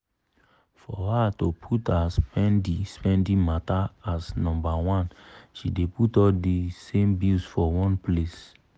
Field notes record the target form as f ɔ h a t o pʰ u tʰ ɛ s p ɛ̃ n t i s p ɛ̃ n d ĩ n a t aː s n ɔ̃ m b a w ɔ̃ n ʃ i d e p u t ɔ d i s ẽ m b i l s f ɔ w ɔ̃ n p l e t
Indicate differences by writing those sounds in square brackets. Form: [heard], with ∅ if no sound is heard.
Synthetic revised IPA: f ɔ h a t o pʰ u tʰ [a] s p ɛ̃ n [d] i s p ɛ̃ n d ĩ [m] a t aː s n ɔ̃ m b a w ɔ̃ n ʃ i d e p u t ɔ d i s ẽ m b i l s f ɔ w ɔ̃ n p l e [s]

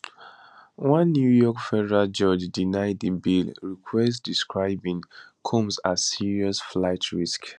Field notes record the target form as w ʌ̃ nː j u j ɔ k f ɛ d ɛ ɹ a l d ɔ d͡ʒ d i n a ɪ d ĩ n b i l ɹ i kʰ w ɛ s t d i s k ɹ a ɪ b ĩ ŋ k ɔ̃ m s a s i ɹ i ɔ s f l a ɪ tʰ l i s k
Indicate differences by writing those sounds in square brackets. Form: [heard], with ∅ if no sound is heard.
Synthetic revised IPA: w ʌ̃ nː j u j ɔ k f ɛ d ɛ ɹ a l [d͡ʒ] ɔ d͡ʒ d i n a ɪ d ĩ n b i l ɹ i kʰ w ɛ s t d i s k ɹ a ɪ b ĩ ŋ [kʰ] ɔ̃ m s a s i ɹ i ɔ s f l a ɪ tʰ [ɹ] i s k

